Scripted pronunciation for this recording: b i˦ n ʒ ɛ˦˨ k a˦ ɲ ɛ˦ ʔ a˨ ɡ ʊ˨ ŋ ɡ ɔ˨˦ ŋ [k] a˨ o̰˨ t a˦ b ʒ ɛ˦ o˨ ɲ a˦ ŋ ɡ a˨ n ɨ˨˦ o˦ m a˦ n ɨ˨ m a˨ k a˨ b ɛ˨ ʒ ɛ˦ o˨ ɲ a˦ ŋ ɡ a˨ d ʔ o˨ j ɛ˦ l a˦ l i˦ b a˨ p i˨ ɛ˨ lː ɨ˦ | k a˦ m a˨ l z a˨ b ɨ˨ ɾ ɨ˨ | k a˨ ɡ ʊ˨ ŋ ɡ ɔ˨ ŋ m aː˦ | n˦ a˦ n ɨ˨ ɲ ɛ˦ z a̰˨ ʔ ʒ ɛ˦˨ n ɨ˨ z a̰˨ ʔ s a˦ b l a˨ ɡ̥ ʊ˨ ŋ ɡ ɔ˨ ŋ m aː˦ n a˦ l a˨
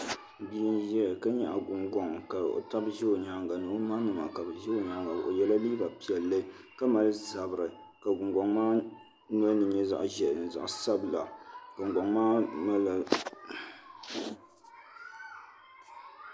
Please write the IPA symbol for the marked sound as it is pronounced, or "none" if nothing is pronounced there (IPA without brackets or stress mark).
k